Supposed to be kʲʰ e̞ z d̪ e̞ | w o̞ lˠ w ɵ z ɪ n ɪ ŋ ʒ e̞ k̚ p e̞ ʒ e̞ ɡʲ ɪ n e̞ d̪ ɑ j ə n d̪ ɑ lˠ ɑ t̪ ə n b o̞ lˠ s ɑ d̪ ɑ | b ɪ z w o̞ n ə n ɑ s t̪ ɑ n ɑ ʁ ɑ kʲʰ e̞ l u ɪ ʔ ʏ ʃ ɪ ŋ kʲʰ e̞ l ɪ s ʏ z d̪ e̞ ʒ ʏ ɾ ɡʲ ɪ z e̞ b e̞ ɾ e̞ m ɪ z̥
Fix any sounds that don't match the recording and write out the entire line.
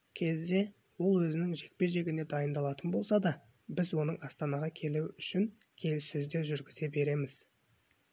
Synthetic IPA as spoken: kʲʰ e̞ z d̪ e̞ | w o̞ lˠ w ɵ z ɪ n ɪ ŋ ʒ e̞ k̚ p e̞ ʒ e̞ ɡʲ ɪ n e̞ d̪ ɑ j ə n d̪ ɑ lˠ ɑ t̪ ə n b o̞ lˠ s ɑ d̪ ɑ | b ɪ z w o̞ n ə ɴ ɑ s t̪ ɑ n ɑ ʁ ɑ kʲʰ e̞ l u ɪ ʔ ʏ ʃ ɪ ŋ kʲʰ e̞ l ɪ s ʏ z d̪ e̞ ʒ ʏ ɾ ɡʲ ɪ z e̞ b e̞ ɾ e̞ m ɪ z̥